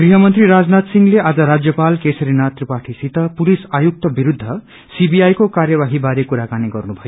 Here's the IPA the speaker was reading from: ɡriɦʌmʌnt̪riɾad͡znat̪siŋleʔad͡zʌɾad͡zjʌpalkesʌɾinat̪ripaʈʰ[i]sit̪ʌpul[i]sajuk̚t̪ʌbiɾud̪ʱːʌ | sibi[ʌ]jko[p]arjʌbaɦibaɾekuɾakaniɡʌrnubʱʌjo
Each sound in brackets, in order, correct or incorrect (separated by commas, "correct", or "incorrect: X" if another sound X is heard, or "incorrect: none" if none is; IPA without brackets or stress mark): correct, correct, incorrect: a, incorrect: k